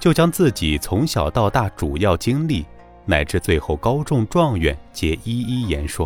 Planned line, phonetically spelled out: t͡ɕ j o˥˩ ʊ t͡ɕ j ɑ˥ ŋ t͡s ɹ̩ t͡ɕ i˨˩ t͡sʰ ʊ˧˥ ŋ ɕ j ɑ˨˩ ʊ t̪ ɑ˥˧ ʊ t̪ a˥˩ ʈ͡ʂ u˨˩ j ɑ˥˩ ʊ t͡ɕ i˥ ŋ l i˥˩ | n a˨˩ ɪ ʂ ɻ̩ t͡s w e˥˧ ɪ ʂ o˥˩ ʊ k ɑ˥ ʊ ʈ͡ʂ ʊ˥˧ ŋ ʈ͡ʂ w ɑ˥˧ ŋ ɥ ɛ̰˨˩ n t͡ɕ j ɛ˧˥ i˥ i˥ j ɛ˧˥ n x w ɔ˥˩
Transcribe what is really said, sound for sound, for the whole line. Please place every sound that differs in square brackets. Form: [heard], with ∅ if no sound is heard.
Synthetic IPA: t͡ɕ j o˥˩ ʊ t͡ɕ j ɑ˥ ŋ t͡s ɹ̩ t͡ɕ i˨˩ t͡sʰ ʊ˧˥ ŋ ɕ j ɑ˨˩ ʊ t̪ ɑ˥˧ ʊ t̪ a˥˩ ʈ͡ʂ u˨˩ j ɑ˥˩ ʊ t͡ɕ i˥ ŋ l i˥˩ | n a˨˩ ɪ [ʈ͡ʂ] ɻ̩ t͡s w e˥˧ ɪ [x] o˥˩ ʊ k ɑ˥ ʊ ʈ͡ʂ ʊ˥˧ ŋ ʈ͡ʂ w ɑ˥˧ ŋ ɥ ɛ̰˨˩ n t͡ɕ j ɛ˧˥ i˥ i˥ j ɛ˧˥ n [ʂ] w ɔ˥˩